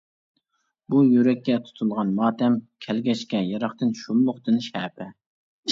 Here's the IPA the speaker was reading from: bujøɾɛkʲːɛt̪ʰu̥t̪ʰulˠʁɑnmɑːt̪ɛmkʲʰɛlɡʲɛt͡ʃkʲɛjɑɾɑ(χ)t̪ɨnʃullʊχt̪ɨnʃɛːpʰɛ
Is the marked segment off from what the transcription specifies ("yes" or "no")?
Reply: no